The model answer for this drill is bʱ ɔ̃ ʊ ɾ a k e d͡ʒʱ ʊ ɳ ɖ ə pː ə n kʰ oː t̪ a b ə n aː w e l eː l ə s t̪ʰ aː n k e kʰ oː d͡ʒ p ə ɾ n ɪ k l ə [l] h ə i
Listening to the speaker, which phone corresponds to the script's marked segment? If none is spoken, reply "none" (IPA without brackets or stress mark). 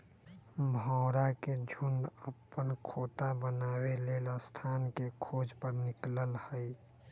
l